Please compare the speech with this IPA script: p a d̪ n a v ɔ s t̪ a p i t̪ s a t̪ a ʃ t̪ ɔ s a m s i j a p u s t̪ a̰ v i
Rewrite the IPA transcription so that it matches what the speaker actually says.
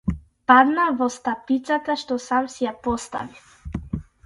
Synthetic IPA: p a d̪ n a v ɔ s t̪ a p i t̪ s a t̪ a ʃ t̪ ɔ s a m s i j a p ɔ s t̪ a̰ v i